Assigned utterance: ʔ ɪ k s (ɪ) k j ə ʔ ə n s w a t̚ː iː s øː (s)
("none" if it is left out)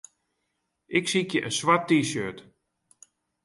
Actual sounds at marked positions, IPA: i, t

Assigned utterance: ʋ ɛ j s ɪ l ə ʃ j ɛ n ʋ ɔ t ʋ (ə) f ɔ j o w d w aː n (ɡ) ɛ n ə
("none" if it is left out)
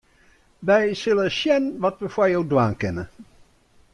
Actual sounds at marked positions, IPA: ə, k

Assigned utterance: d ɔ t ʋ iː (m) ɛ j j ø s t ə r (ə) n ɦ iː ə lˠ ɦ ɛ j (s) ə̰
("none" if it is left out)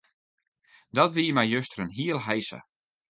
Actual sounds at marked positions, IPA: m, ə, s

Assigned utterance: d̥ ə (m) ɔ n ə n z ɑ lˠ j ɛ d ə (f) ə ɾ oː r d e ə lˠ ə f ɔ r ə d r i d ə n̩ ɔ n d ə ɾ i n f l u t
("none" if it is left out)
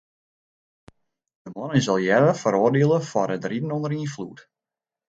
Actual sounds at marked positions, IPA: m, f

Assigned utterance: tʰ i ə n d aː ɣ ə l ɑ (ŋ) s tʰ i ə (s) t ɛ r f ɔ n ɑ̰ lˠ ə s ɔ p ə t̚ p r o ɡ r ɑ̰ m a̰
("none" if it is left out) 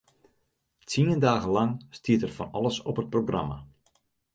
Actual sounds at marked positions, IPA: ŋ, none

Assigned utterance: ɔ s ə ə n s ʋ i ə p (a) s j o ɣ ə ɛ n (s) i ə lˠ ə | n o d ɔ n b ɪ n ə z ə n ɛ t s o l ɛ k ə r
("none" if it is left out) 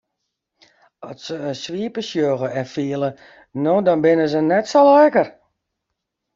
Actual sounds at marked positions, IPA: ə, f

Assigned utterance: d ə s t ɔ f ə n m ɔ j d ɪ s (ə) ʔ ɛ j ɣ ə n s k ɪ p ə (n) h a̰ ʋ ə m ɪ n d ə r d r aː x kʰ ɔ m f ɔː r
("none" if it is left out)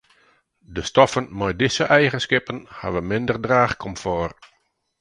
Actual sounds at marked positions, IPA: ə, n

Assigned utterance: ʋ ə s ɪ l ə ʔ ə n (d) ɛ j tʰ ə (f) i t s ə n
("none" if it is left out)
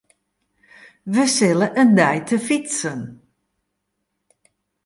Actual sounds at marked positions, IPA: d, f

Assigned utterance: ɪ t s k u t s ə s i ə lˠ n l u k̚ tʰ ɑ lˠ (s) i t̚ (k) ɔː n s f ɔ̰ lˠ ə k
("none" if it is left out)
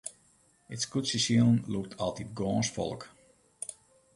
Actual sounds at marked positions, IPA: t, ɡ

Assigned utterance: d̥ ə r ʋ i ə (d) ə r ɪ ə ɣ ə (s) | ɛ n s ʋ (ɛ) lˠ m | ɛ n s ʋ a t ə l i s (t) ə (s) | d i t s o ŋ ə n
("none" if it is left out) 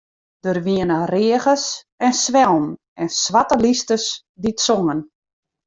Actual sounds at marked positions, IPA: n, s, ɛ, t, s

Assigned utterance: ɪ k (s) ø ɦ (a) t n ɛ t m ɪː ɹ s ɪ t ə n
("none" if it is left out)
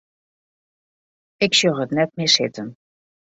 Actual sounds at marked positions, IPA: s, ə

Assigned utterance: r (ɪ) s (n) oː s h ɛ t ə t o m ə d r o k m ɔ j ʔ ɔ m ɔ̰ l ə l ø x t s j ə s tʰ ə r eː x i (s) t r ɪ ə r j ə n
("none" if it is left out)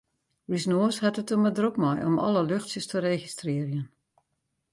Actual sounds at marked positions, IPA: i, n, s

